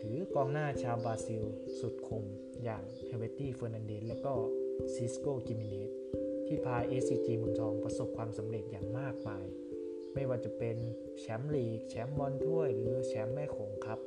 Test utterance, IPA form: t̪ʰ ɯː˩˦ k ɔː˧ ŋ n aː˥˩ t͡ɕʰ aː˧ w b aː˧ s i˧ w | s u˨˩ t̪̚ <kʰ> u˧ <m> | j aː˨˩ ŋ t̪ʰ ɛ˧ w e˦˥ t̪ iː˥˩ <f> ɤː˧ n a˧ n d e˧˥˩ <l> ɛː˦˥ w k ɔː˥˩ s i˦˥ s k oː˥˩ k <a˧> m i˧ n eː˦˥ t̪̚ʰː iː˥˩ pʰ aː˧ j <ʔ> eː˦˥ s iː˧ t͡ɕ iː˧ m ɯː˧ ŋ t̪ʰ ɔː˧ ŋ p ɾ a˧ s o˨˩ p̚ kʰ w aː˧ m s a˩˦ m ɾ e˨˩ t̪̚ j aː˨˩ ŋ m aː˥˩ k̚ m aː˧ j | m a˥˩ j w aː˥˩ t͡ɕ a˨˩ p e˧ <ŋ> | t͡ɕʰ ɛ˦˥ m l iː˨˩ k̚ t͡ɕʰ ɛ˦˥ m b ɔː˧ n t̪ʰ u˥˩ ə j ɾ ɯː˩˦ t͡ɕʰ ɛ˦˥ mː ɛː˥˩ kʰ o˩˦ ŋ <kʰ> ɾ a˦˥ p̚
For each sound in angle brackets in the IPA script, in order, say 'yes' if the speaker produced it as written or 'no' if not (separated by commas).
yes, yes, yes, yes, no, yes, no, yes